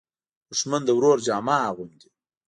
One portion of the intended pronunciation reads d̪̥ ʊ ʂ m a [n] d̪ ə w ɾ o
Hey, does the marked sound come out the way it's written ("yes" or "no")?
yes